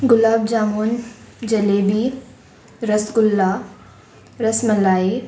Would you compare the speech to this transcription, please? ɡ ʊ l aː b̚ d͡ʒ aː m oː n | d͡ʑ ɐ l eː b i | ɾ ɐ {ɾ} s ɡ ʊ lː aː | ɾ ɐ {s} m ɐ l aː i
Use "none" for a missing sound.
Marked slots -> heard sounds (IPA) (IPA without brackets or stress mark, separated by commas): none, s